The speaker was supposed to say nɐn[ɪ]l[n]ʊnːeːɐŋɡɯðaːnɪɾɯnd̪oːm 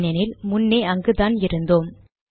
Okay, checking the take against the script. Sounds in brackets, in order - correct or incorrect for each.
correct, incorrect

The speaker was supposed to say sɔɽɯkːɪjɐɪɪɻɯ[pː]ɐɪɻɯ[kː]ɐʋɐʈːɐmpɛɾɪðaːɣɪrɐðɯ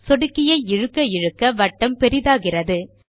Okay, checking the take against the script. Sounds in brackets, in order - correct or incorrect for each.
incorrect, correct

